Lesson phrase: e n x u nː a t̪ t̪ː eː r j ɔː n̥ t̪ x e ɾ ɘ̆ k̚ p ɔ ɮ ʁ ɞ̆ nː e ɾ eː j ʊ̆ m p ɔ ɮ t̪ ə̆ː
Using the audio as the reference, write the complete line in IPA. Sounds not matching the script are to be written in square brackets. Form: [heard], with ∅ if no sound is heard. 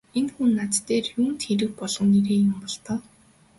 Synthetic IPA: e n x u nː a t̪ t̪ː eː r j [uː] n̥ t̪ x e ɾ ɘ̆ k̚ p ɔ ɮ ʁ ɞ̆ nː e ɾ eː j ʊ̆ m p ɔ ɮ t̪ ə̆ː